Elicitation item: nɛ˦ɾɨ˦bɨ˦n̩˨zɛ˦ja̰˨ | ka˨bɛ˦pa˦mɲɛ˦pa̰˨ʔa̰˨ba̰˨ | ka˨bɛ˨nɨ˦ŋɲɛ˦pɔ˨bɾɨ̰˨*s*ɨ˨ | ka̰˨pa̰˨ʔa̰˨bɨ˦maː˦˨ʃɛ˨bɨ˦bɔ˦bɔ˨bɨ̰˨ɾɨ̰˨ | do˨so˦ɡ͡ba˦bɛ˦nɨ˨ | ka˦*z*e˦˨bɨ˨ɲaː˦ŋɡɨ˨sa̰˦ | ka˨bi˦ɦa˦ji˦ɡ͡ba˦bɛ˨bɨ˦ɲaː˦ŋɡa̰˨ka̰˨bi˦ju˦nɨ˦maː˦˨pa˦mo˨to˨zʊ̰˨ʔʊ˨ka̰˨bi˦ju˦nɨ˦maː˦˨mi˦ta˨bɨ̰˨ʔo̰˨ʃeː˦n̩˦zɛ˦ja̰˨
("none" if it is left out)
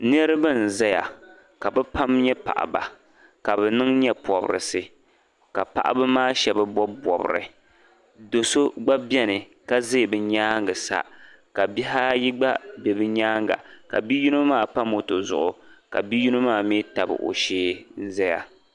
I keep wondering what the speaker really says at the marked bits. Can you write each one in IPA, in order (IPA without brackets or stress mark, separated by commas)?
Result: s, z